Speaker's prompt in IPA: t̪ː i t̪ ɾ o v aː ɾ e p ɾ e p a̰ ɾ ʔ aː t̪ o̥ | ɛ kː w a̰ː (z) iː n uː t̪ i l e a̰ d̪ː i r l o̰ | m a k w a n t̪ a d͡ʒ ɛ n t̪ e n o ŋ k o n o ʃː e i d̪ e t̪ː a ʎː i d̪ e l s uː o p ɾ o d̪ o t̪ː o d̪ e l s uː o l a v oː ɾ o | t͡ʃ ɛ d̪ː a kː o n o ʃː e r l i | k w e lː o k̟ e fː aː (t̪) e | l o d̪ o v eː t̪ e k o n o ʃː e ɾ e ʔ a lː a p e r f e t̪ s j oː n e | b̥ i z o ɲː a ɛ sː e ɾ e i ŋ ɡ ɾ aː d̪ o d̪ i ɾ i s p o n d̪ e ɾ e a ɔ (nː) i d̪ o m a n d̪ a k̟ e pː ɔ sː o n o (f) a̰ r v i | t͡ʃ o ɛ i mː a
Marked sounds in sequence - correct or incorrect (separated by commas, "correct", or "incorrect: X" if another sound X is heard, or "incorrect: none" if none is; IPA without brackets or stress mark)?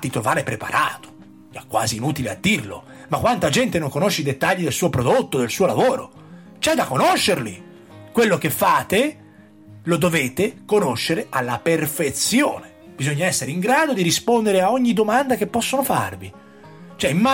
correct, correct, incorrect: ɲː, correct